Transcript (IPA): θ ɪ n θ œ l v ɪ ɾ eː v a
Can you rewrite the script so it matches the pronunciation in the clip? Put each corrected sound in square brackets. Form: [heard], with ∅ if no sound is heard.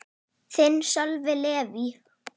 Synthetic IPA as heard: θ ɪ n [s] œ l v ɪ [l] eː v [i]